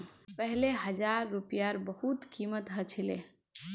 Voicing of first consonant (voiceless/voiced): voiceless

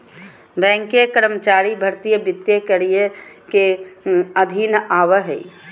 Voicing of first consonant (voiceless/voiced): voiced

